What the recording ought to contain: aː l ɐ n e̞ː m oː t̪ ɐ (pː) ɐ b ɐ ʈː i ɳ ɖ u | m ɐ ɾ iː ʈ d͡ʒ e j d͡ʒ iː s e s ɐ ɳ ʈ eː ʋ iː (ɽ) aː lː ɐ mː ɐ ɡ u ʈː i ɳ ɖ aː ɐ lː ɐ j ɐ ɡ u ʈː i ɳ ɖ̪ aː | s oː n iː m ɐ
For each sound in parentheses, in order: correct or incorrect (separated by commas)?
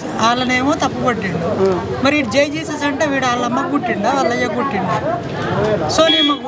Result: correct, correct